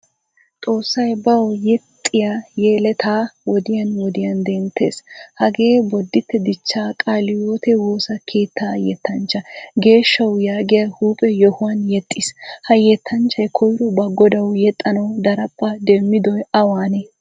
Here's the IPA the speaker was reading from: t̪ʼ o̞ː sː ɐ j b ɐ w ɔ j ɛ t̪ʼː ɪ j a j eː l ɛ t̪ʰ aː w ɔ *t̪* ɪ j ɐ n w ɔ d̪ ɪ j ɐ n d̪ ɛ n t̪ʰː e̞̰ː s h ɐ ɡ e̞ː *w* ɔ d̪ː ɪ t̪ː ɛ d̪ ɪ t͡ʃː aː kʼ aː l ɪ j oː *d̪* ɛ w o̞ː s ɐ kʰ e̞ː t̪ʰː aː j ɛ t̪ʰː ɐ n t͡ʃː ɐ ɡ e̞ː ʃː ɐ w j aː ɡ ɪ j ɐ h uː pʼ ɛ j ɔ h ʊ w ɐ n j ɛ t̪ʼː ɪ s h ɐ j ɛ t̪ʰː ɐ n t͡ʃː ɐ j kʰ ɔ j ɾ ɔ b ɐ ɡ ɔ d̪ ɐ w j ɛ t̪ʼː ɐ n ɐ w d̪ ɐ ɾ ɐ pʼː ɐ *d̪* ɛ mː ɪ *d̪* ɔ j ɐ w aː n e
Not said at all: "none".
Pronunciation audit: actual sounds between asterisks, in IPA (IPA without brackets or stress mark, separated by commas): d̪, b, t̪, d̪, d̪